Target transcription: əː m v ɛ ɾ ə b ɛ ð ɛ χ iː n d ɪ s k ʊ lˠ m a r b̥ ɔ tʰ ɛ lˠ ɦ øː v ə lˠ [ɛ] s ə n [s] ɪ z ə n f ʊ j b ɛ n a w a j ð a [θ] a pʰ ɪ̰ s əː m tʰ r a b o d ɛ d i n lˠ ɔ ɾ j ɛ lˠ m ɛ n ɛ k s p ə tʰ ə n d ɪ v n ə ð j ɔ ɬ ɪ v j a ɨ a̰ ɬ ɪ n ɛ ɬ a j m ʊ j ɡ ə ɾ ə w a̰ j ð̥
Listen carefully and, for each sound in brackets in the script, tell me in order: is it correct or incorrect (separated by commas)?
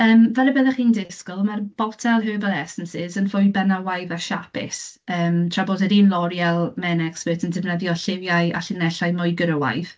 correct, correct, incorrect